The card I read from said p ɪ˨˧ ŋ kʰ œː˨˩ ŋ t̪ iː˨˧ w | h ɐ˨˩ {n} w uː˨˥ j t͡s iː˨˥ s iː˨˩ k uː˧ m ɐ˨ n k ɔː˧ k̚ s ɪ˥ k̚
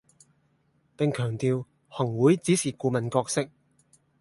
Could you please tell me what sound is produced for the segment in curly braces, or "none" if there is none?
ŋ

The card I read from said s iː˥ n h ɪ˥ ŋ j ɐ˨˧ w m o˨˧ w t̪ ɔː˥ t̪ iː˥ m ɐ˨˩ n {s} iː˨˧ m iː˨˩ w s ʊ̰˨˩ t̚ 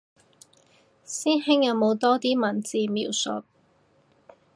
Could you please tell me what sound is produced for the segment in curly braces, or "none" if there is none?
t͡s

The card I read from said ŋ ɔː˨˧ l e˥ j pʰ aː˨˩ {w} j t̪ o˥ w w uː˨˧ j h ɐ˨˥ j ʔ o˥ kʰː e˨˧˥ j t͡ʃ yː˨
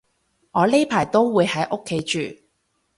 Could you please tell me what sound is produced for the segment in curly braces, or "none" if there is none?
none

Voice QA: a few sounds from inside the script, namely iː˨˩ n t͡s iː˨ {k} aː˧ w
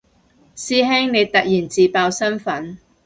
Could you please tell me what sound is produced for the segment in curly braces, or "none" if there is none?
p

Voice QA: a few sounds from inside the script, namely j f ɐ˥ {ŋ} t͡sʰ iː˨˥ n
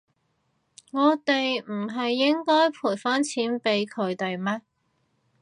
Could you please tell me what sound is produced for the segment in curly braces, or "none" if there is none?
n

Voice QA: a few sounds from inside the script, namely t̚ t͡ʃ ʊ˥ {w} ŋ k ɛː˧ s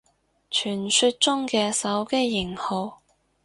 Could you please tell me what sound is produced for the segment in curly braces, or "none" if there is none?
none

